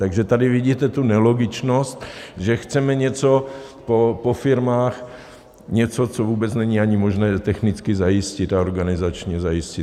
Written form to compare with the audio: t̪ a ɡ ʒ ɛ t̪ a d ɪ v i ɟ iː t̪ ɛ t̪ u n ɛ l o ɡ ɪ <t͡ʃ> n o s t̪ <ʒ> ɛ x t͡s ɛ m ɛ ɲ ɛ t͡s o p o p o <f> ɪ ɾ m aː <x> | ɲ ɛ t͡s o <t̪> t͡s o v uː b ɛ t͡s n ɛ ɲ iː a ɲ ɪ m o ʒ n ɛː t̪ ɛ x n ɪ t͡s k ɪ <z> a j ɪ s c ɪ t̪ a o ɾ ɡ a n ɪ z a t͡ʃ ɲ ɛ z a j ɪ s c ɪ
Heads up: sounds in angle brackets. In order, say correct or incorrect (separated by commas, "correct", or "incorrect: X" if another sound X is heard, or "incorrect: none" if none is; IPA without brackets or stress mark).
correct, correct, correct, correct, incorrect: none, correct